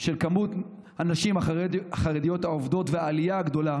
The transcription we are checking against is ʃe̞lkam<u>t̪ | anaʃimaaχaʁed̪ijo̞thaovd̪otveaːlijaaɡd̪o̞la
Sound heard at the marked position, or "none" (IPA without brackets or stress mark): u